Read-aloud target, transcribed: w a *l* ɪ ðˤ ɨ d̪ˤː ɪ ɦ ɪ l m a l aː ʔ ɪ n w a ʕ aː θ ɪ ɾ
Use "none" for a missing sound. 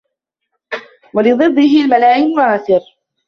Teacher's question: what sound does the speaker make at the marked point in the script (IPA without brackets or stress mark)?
l